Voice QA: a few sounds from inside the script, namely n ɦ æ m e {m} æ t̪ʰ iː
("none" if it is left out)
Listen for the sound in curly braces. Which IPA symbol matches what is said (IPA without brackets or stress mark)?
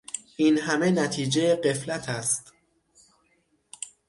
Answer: n